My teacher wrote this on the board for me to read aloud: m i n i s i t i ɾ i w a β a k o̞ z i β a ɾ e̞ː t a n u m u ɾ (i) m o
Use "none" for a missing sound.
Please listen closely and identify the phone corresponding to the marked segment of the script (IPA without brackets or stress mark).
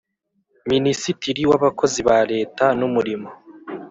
i